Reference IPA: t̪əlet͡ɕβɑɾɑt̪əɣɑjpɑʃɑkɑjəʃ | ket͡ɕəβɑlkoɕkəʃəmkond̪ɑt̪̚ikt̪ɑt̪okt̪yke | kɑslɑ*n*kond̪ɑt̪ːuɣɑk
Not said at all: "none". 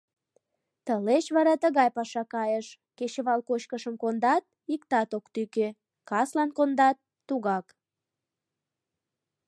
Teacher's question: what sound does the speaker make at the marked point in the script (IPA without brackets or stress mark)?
n